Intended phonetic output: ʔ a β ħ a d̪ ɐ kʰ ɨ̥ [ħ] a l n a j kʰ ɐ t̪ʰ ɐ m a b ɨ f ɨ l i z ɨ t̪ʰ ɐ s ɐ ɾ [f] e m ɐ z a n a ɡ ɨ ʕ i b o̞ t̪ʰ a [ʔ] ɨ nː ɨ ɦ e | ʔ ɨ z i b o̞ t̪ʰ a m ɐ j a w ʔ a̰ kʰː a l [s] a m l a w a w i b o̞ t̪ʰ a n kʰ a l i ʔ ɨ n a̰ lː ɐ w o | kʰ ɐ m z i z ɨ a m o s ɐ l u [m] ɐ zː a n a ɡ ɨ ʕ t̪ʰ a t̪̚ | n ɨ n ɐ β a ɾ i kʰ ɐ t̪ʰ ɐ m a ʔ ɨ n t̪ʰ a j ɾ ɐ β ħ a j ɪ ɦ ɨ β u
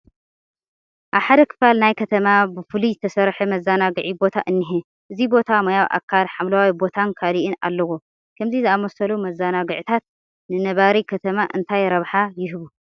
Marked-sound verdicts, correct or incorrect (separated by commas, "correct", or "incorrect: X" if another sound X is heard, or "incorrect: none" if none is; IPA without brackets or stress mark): incorrect: f, incorrect: ħ, correct, incorrect: ħ, correct